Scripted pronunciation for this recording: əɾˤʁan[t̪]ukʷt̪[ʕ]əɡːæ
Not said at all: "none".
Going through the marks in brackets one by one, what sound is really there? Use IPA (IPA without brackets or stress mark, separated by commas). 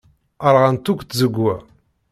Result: t̪, z